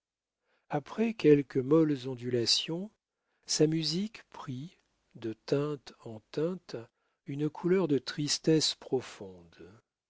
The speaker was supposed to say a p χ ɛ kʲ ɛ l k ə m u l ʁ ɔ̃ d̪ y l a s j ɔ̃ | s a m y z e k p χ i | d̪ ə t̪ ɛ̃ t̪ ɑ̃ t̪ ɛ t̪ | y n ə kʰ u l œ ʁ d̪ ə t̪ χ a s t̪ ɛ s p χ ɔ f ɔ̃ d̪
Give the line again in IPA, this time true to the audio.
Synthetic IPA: a p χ ɛ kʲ ɛ l k ə m ɔ l z ɔ̃ d̪ y l a s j ɔ̃ | s a m y z i k p χ i | d̪ ə t̪ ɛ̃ t̪ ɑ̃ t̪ ɛ̃ t̪ | y n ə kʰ u l œ ʁ d̪ ə t̪ χ i s t̪ ɛ s p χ ɔ f ɔ̃ d̪